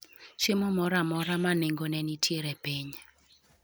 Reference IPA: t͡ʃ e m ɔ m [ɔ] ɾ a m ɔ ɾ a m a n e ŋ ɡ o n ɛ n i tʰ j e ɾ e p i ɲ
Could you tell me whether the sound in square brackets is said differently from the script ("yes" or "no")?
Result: no